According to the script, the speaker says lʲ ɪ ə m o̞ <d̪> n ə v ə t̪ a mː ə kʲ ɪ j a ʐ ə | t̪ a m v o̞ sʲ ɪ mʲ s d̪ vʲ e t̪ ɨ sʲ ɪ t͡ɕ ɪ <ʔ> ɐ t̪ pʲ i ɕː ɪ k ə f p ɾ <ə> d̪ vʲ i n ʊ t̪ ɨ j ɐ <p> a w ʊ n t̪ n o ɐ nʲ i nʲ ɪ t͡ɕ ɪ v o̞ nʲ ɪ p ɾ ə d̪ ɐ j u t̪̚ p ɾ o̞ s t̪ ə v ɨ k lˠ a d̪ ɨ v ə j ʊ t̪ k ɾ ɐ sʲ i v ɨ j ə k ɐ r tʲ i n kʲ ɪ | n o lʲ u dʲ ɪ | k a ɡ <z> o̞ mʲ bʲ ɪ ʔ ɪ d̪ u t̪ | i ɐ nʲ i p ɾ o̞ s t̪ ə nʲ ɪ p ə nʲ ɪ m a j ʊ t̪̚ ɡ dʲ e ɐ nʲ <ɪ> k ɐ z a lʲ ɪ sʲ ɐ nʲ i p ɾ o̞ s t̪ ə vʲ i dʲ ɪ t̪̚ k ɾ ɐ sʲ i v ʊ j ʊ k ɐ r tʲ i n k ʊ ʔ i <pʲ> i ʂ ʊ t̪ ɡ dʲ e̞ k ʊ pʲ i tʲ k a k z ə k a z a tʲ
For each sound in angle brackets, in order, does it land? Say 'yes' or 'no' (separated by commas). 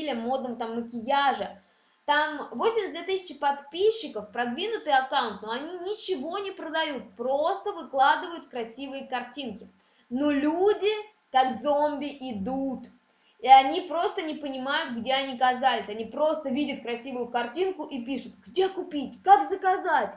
yes, no, no, no, yes, no, yes